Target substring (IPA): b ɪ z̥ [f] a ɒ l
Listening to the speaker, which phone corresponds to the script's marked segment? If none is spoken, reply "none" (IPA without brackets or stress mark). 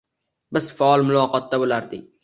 f